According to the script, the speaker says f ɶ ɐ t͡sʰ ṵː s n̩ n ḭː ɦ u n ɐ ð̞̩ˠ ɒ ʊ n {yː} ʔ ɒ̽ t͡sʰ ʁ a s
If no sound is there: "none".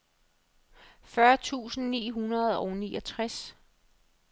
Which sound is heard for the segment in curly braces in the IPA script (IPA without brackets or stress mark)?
iː